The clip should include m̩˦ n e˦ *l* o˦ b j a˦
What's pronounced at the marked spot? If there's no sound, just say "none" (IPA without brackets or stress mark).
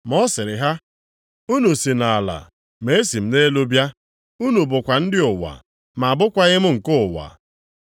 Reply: l